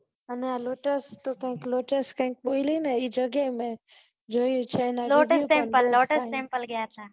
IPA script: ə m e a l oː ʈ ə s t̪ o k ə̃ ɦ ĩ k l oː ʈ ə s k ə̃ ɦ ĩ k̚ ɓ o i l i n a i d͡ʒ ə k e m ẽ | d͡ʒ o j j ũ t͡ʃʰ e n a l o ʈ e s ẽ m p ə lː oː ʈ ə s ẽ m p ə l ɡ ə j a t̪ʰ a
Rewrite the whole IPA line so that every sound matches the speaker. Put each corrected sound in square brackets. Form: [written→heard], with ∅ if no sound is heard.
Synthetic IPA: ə [m→n] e a l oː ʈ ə s t̪ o k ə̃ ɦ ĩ k l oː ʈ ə s k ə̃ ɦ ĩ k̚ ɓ o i l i n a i d͡ʒ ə [k→ɡ] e m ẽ | d͡ʒ o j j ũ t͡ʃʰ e n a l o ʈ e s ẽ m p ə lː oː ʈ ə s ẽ m p ə l ɡ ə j a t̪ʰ a